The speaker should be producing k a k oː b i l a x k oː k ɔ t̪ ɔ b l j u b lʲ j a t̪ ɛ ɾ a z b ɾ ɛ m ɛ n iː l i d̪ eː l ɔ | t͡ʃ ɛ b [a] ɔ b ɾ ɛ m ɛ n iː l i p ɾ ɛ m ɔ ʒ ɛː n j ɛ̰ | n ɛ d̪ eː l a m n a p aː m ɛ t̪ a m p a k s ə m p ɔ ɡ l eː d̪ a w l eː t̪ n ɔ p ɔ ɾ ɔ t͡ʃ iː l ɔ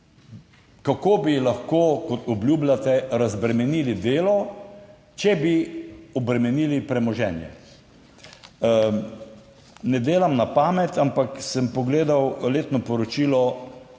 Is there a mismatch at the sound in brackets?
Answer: yes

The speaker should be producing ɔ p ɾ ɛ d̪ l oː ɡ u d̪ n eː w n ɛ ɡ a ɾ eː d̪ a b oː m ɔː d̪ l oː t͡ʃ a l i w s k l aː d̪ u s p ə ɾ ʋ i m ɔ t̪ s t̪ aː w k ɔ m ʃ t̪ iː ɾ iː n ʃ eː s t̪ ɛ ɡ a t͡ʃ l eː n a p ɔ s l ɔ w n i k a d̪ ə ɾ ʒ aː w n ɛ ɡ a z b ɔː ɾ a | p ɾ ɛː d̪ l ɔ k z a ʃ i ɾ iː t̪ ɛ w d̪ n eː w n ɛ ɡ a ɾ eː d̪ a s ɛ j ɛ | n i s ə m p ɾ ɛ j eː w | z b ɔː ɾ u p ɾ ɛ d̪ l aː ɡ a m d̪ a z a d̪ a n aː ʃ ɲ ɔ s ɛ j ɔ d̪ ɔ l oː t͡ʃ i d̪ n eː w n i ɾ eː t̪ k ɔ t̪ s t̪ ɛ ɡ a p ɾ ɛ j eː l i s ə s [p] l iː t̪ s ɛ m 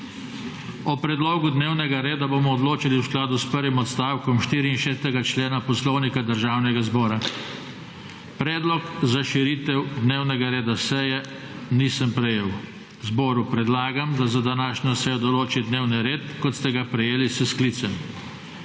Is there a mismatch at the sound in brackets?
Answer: yes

